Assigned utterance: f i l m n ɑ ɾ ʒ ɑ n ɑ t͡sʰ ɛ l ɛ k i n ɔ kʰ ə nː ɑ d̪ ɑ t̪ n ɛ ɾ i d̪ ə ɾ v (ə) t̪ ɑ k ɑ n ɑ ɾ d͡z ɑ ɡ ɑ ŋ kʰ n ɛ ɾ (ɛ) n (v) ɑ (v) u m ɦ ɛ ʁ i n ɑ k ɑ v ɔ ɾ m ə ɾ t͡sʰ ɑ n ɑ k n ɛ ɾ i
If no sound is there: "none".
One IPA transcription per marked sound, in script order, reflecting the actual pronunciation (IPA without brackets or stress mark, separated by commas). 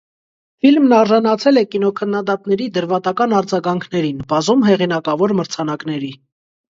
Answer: ɑ, i, b, z